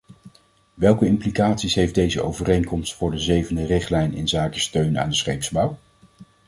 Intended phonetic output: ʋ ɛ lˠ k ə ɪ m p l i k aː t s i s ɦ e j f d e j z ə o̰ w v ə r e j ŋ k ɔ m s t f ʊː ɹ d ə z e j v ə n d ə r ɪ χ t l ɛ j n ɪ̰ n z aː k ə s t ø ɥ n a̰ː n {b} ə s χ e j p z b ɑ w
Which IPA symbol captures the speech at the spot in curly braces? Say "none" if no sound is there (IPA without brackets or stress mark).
d